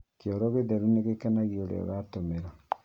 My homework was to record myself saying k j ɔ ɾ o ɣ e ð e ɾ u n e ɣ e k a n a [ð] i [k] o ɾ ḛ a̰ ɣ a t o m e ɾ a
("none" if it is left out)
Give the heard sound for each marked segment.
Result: ɣ, none

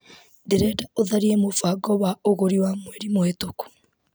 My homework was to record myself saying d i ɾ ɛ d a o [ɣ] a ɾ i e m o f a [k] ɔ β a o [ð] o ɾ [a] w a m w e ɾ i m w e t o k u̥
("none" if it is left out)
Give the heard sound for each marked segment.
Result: ð, ɡ, ɣ, i

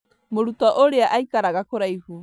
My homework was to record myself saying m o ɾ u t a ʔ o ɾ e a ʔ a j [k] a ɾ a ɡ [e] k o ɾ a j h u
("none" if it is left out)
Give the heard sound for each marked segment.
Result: k, a

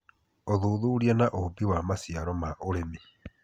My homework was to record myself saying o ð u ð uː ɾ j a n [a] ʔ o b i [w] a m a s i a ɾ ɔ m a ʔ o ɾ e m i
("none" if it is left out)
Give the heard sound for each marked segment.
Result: a, w

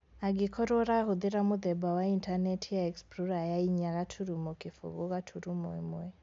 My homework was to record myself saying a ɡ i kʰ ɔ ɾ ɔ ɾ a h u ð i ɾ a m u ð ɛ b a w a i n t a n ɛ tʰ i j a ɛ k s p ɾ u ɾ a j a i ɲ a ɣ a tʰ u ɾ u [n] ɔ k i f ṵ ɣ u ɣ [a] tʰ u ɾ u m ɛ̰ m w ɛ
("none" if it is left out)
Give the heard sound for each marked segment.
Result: m, a

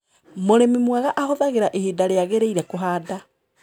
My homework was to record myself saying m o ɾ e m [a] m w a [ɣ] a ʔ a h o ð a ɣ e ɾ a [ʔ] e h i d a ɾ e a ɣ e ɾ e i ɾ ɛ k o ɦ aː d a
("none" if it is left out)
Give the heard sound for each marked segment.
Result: i, ɣ, ʔ

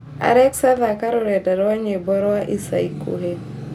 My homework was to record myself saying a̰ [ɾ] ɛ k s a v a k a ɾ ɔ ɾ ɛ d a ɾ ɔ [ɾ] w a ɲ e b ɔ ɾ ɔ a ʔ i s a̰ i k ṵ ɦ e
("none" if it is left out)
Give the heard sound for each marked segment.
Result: ɾ, none

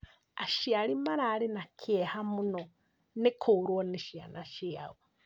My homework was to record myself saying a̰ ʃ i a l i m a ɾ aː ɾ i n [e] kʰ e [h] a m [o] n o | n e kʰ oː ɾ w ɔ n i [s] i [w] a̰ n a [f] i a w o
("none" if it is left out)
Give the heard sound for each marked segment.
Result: a, h, u, ʃ, none, ʃ

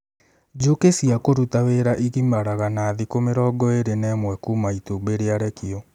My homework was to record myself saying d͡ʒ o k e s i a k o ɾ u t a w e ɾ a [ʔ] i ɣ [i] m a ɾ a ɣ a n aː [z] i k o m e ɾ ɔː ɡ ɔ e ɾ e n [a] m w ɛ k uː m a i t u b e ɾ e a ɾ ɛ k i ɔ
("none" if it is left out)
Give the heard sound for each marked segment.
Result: ʔ, i, ð, ɛ

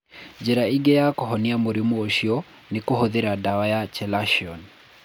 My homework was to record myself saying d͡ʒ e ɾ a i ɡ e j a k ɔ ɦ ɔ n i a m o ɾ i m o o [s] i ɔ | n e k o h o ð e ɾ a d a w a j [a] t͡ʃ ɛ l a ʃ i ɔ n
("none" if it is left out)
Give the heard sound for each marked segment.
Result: ʃ, a

